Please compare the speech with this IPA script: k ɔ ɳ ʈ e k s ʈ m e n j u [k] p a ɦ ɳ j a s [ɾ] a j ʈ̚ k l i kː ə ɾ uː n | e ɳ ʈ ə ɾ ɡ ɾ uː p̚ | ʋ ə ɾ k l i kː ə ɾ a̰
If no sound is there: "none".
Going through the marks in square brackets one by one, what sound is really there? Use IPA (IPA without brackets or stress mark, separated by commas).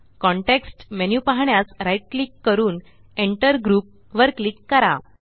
none, ɾ